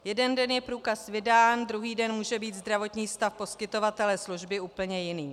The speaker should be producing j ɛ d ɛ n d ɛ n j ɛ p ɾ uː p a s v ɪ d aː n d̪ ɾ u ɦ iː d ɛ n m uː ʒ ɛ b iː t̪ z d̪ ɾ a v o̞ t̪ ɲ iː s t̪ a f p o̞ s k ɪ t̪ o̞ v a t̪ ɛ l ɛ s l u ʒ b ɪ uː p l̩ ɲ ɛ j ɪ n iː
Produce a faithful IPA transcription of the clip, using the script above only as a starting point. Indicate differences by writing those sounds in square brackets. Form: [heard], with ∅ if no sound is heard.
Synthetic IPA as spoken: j ɛ d ɛ n d ɛ n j ɛ p ɾ uː [k] a s v ɪ d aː n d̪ ɾ u ɦ iː d ɛ n m uː ʒ ɛ b iː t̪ z d̪ ɾ a v o̞ t̪ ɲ iː s t̪ a f p o̞ s k ɪ t̪ o̞ v a t̪ ɛ l ɛ s l u ʒ b ɪ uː p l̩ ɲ ɛ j ɪ n iː